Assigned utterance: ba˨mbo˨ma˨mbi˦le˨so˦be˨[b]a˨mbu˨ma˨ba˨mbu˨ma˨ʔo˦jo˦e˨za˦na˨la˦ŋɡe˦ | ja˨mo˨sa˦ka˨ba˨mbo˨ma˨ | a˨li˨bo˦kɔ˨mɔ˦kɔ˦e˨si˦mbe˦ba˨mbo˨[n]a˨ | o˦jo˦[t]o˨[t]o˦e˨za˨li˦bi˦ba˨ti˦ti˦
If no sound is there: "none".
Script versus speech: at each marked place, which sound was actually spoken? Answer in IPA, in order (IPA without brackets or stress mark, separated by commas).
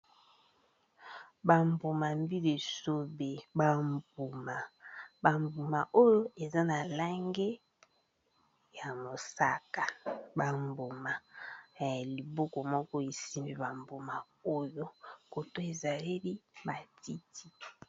b, m, k, t